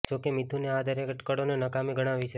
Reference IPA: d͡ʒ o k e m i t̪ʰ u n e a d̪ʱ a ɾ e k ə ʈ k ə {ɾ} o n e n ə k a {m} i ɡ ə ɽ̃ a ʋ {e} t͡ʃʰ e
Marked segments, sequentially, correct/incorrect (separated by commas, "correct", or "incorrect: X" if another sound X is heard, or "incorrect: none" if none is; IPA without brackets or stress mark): incorrect: ɽ, correct, incorrect: i